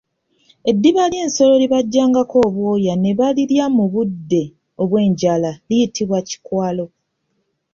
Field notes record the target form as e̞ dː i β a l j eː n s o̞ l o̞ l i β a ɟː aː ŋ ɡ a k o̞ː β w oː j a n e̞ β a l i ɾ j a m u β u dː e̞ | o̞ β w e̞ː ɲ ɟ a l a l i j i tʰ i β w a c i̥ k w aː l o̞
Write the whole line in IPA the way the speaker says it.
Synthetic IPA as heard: e̞ dː i β a l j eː n s o̞ l o̞ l i β a ɟː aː ŋ ɡ a k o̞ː β w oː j a n e̞ β a l i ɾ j a m u β u dː e̞ | o̞ β w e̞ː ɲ ɟ a l a l i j i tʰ i β w a c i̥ k w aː l o̞